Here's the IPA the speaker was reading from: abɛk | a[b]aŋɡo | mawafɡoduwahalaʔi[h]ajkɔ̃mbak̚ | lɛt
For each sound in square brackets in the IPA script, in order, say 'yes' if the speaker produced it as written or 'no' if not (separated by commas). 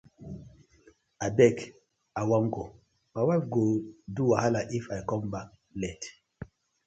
no, no